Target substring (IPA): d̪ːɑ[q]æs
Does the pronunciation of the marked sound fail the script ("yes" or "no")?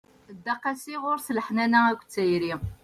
no